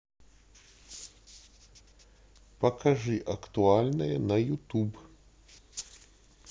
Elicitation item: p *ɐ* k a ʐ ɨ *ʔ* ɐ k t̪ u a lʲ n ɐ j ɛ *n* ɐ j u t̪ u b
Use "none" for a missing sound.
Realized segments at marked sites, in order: ɐ, ʔ, n

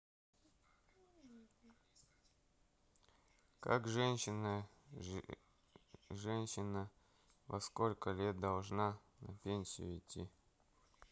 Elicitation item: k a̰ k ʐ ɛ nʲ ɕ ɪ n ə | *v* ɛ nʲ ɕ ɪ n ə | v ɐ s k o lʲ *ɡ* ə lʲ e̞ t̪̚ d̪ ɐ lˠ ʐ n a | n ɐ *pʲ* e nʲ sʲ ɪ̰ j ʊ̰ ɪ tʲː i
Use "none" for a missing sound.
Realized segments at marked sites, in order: ʐ, k, pʲ

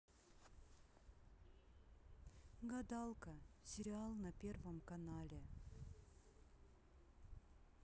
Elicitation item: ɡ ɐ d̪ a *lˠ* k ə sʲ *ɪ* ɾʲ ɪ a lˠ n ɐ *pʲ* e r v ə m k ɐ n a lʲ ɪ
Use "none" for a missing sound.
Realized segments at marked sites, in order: lˠ, ɪ, pʲ

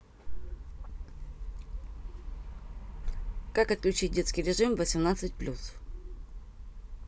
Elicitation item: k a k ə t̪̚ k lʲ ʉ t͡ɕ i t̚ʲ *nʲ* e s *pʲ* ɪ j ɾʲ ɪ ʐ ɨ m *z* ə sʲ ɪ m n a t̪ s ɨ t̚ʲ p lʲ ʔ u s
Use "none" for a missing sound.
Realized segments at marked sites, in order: dʲ, kʲ, v

